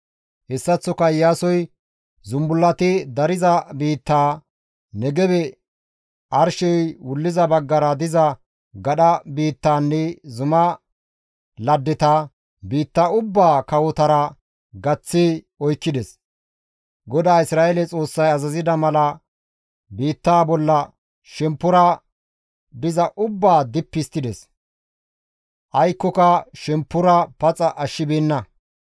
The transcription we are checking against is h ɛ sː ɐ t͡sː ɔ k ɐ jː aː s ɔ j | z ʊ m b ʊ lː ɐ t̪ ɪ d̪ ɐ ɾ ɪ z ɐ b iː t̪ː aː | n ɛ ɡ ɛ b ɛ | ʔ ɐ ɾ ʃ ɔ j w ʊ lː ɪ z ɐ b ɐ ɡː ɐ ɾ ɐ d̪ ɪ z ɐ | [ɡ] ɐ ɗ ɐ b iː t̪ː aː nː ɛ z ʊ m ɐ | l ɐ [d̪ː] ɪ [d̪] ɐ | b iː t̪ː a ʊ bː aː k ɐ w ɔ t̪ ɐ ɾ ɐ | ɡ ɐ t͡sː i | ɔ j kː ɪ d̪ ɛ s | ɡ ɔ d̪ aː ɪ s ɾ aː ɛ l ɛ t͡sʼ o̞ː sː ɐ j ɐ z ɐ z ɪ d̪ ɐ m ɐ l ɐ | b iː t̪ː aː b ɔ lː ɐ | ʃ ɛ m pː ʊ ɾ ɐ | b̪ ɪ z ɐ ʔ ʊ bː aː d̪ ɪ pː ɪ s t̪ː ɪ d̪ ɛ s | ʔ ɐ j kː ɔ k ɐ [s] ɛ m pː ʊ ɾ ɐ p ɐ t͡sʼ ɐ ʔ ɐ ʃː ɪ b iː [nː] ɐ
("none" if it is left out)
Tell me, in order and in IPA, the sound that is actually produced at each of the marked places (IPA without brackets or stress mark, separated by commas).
ɡ, d̪ː, t̪, ʃ, nː